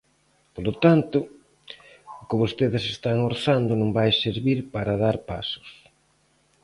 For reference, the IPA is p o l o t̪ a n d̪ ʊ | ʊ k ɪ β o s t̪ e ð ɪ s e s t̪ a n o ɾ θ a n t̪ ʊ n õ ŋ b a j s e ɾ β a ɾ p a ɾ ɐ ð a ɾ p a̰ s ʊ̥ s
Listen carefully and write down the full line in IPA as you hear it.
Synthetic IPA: p o l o t̪ a n t̪ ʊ | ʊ k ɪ β o s t̪ e ð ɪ s e s t̪ a ŋ o ɾ θ a n d̪ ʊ n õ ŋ b a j s e ɾ β i ɾ p a ɾ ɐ ð a ɾ p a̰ s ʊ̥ s

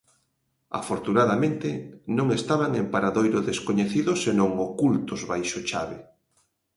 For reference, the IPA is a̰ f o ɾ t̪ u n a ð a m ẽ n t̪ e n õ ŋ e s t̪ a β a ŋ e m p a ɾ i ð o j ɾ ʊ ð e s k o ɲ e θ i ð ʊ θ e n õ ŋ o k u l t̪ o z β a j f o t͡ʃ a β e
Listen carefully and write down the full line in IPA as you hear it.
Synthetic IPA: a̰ f o ɾ t̪ u n a ð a m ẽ n t̪ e n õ ŋ e s t̪ a β a ŋ e m p a ɾ a ð o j ɾ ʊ ð e s k o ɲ e θ i ð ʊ s e n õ ŋ o k u l t̪ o z β a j ʃ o t͡ʃ a β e

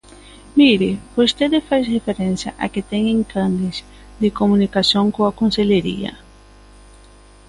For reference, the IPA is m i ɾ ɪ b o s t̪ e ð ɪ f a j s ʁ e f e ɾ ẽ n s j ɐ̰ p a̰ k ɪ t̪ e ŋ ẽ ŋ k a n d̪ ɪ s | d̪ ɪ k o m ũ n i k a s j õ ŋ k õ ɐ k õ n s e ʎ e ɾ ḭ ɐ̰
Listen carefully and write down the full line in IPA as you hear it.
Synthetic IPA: m i ɾ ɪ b o s t̪ e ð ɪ f a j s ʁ e f e ɾ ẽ n s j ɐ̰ ʔ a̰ k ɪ t̪ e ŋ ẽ ŋ k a n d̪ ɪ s | d̪ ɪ k o m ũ n i k a s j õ ŋ k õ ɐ k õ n s e ʎ e ɾ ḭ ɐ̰

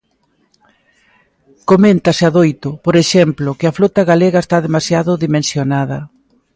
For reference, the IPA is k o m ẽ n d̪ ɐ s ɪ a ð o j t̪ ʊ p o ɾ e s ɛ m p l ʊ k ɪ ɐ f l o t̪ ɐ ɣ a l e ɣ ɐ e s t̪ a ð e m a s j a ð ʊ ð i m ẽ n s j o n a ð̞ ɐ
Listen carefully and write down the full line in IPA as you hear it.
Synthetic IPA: k o m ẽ n t̪ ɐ s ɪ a ð o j t̪ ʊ p o ɾ e ʃ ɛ m p l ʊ k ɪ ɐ f l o t̪ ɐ ɣ a l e ɣ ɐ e s t̪ a ð e m a s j a ð ʊ ð i m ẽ n s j o n a ð̞ ɐ

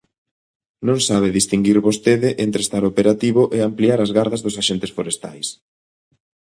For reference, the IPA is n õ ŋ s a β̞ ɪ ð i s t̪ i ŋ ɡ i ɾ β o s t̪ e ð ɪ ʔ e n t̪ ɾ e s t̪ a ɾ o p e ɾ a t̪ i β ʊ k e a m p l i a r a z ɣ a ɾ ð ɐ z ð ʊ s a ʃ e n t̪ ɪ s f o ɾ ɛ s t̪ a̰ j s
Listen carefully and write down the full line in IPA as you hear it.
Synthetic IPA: n õ ŋ s a β̞ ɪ ð i s t̪ i ŋ ɡ i ɾ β o s t̪ e ð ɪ ʔ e n t̪ ɾ e s t̪ a ɾ o p e ɾ a t̪ i β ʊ ʔ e a m p l i a ɾ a z ɣ a ɾ ð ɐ z ð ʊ s a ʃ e n t̪ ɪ s f o ɾ e s t̪ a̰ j s

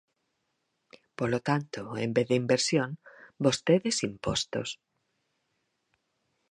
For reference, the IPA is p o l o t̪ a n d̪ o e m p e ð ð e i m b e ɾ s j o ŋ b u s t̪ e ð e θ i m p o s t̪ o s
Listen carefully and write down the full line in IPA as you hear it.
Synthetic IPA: p o l o t̪ a n t̪ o e m b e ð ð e i m b e ɾ s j o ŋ b o s t̪ e ð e s i m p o s t̪ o s

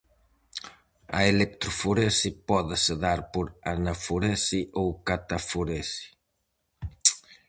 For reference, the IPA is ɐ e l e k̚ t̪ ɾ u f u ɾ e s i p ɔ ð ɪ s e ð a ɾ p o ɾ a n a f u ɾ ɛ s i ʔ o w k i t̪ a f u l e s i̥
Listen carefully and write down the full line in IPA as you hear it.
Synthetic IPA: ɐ e l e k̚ t̪ ɾ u f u ɾ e s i p ɔ ð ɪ s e ð a ɾ p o ɾ a n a f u ɾ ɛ s i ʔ o w k a t̪ a f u ɾ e s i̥

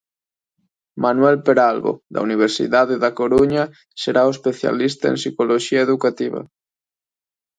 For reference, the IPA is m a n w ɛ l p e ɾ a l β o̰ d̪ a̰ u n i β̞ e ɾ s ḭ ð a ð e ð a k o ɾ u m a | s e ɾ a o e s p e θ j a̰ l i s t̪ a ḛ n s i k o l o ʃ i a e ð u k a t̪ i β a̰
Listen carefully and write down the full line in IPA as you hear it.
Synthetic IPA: m a n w ɛ l p e ɾ a l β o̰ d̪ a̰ u n i β̞ e ɾ s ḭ ð a ð e ð a k o ɾ u ɲ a | s e ɾ a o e s p e θ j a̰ l i s t̪ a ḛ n s i k o l o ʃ i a e ð u k a t̪ i β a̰

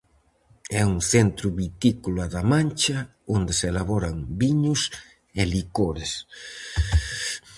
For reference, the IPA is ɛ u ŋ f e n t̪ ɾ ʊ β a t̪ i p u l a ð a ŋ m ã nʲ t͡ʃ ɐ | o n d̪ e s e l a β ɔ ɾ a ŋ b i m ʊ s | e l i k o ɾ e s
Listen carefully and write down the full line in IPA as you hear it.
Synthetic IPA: ɛ u ŋ θ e n t̪ ɾ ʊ β i t̪ i k u l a ð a m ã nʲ t͡ʃ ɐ | o n d̪ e s e l a β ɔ ɾ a ŋ b i ɲ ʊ s | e l i k o ɾ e s

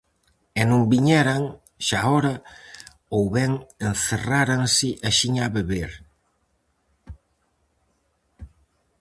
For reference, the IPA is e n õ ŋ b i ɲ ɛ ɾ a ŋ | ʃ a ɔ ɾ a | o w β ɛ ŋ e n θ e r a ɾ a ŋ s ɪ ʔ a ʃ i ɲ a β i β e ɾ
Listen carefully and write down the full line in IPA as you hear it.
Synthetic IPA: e n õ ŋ b i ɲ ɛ ɾ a ŋ | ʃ a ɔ ɾ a | o w β ɛ ŋ e n θ e r a ɾ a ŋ s ɪ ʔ a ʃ i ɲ a β e β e ɾ

